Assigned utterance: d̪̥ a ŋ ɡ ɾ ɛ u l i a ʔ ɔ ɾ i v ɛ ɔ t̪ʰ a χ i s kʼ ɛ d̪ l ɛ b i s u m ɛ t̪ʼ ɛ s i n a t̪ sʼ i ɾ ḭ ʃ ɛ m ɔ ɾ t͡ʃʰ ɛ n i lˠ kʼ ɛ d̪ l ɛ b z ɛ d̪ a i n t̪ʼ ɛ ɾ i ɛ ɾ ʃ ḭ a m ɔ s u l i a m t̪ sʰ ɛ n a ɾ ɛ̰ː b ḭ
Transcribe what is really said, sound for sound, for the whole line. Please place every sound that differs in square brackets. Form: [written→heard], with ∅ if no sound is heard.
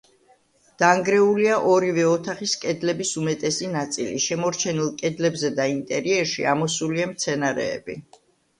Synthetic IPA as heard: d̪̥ a ŋ ɡ ɾ ɛ u l i a ʔ ɔ ɾ i v ɛ ɔ t̪ʰ a χ i s kʼ ɛ d̪ l ɛ b i s u m ɛ t̪ʼ ɛ s i n a t̪ sʼ i [ɾ→l] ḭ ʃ ɛ m ɔ ɾ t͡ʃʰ ɛ n i lˠ kʼ ɛ d̪ l ɛ b z ɛ d̪ a i n t̪ʼ ɛ ɾ i ɛ ɾ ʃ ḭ a m ɔ s u l i a m t̪ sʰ ɛ n a ɾ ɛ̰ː b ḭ